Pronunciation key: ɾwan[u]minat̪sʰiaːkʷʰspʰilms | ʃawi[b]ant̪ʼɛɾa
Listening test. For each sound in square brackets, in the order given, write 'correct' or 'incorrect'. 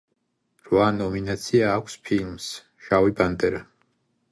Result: incorrect: ɔ, correct

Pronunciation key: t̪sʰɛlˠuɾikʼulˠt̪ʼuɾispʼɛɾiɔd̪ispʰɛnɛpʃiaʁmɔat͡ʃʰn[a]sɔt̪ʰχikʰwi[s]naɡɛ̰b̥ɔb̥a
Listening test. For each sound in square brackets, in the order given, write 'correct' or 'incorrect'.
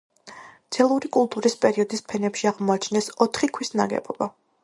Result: incorrect: ɛ, correct

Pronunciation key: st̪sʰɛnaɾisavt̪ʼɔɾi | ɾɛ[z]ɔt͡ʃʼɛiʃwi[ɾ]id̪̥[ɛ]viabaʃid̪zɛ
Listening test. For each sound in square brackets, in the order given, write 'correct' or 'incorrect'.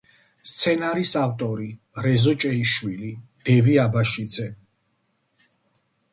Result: correct, incorrect: l, correct

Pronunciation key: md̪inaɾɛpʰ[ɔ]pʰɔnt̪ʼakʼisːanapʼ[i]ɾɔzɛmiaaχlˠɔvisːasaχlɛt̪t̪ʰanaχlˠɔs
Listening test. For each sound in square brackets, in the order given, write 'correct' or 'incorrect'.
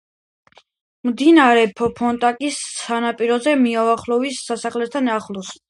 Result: correct, correct

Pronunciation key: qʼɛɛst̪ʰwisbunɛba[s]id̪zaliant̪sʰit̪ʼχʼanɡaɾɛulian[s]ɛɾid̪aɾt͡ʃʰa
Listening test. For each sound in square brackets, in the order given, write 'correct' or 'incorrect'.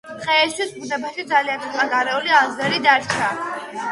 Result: incorrect: ʃ, incorrect: z

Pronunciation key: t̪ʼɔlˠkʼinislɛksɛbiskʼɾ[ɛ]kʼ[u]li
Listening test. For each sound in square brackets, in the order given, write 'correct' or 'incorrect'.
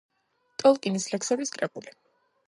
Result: correct, correct

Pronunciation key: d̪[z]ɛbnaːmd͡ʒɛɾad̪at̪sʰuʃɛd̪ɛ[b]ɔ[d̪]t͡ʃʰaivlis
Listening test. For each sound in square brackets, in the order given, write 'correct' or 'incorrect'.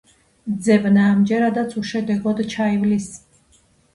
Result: correct, incorrect: ɡ, correct

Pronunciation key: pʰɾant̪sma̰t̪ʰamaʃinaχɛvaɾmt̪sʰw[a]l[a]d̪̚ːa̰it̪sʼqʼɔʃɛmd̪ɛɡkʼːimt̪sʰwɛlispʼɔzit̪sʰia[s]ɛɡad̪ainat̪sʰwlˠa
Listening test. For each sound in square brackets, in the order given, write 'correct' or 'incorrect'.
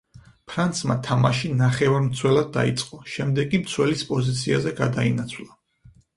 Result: incorrect: ɛ, correct, incorrect: z

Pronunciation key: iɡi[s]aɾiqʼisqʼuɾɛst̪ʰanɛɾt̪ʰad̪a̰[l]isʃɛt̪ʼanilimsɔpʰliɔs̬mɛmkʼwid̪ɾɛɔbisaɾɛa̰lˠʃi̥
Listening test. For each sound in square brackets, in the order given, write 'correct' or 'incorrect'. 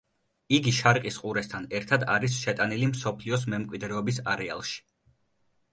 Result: incorrect: ʃ, incorrect: ɾ

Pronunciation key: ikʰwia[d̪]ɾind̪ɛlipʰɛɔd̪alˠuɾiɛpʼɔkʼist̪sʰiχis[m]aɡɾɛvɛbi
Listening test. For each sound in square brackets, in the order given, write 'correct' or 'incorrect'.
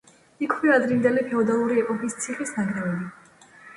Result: correct, incorrect: n

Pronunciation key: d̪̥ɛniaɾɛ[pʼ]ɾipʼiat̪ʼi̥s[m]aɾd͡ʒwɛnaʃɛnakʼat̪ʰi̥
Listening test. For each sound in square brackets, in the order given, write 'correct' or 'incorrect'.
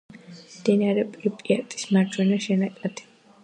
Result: correct, correct

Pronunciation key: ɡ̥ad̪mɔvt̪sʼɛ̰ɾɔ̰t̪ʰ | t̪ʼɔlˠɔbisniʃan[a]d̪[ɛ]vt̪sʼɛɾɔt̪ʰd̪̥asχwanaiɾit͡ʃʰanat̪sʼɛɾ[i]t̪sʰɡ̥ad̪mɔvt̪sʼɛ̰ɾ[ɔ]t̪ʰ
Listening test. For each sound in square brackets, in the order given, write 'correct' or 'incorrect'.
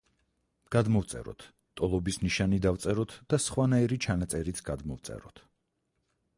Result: incorrect: i, incorrect: a, correct, correct

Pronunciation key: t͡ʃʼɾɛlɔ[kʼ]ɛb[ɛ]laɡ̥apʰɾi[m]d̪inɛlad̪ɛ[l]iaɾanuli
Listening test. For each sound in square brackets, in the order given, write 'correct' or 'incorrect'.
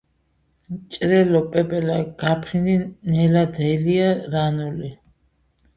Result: incorrect: pʼ, correct, incorrect: n, correct

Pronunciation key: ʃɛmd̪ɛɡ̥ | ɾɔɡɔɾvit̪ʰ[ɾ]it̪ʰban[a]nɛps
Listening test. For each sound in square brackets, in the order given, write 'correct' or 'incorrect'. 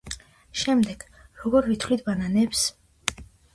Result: incorrect: l, correct

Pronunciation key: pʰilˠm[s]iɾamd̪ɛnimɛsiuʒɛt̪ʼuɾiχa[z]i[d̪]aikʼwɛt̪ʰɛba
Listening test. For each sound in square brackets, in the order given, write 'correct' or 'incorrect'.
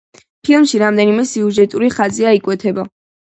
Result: incorrect: ʃ, correct, incorrect: none

